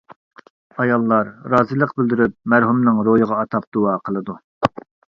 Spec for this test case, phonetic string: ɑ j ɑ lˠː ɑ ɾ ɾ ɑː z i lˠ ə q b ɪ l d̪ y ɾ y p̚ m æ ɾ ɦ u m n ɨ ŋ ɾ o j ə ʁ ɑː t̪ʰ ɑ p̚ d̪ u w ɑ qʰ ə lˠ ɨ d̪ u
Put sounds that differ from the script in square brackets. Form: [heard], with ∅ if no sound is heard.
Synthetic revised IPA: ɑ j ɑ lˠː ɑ ɾ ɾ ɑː z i lˠ ə q b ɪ l d̪ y ɾ y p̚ m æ ɾ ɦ u m n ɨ ŋ ɾ o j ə ʁ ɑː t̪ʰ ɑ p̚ d̪ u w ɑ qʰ ə lˠ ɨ d̪ u